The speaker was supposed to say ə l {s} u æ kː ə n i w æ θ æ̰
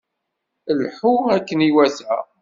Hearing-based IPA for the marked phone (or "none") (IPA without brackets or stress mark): ħ